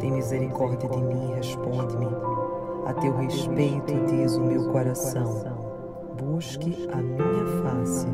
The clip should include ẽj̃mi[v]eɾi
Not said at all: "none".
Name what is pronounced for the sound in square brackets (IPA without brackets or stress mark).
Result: z